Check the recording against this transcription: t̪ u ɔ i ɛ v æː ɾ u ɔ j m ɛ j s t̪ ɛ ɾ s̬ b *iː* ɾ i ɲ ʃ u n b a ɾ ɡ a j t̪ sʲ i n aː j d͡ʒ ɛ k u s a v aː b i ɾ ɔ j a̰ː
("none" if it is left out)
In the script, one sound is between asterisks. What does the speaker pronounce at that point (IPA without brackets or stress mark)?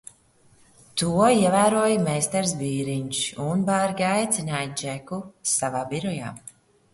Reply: iː